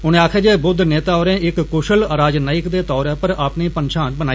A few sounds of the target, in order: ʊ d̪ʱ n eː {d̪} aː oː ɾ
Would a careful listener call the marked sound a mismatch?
yes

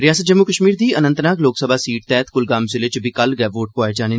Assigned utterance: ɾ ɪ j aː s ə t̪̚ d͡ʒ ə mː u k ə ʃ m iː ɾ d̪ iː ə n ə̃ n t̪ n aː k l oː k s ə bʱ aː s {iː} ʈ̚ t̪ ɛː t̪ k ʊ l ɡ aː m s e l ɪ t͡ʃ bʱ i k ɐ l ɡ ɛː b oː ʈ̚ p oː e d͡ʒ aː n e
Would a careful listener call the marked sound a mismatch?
no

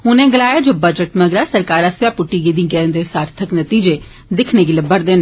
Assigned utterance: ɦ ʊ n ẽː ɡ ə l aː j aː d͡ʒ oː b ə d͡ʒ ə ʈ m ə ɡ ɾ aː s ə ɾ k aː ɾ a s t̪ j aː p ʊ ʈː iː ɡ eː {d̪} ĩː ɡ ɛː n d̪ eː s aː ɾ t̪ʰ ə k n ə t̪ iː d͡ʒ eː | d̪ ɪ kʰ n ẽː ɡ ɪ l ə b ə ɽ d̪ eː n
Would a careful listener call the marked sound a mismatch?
no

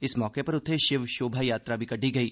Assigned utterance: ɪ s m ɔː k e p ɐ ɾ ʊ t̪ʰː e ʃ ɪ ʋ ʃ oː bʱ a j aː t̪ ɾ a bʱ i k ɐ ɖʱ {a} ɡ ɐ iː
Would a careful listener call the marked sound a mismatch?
yes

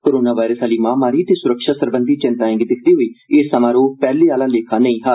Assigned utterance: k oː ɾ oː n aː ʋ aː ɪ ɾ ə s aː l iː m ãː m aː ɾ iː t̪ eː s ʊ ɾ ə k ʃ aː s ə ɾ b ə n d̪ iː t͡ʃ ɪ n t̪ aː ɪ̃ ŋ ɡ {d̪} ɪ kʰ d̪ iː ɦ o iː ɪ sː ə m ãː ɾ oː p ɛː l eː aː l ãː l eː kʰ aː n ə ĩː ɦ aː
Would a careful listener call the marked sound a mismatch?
no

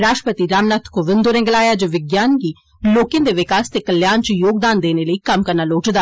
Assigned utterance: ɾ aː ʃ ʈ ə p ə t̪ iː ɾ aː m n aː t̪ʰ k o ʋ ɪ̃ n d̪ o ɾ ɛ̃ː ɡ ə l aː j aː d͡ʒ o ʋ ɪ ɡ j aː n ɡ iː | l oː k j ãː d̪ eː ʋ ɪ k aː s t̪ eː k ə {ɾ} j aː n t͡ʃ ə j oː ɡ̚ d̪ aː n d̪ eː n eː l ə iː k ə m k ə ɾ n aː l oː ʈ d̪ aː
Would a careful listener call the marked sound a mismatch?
yes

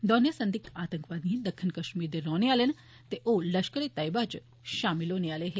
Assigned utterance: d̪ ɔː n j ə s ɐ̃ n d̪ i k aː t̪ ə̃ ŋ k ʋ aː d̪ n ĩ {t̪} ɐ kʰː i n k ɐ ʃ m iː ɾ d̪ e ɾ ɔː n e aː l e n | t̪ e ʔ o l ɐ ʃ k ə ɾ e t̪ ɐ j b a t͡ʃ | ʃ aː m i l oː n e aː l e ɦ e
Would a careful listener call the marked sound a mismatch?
yes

